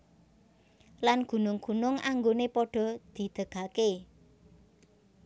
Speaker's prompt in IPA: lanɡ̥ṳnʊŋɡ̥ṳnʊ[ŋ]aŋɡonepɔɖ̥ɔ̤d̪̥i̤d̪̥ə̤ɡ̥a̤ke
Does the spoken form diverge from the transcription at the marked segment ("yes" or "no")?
no